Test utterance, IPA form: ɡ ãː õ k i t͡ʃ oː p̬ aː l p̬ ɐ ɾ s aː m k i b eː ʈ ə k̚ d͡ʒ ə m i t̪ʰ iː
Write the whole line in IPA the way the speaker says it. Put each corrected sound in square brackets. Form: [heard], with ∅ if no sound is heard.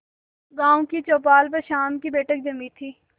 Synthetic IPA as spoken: ɡ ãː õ k i t͡ʃ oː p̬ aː l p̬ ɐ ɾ [ʃ] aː m k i b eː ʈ ə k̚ d͡ʒ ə m i t̪ʰ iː